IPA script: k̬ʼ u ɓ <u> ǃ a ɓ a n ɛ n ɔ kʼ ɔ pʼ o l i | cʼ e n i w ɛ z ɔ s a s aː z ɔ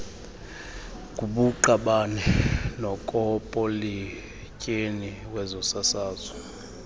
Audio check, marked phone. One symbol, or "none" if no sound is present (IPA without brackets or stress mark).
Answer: u